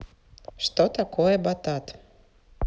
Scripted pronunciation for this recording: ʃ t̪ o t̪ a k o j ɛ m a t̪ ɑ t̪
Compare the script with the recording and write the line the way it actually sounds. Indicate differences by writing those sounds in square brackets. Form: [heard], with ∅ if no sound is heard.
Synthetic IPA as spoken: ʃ t̪ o t̪ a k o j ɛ [b] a t̪ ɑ t̪